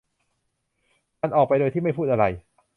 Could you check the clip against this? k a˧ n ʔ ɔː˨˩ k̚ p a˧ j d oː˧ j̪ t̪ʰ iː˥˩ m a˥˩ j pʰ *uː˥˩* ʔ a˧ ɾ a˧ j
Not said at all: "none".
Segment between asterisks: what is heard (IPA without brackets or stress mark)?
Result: uː˥˩